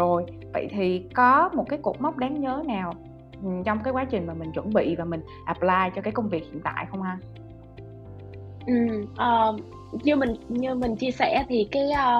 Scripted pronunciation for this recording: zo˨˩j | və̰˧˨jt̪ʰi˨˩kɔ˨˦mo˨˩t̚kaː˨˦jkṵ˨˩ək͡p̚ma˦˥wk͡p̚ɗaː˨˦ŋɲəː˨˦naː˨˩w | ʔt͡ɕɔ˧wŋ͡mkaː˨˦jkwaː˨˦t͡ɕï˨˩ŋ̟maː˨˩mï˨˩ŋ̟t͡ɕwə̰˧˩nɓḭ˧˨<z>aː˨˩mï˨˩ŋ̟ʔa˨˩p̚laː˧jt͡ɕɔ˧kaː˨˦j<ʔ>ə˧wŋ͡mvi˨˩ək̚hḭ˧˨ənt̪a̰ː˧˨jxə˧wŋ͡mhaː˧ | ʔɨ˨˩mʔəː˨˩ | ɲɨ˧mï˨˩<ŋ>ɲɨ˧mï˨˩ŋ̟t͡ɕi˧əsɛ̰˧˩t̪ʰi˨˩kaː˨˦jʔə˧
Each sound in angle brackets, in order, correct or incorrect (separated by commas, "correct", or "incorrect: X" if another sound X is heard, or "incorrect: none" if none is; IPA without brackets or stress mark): incorrect: v, incorrect: k, correct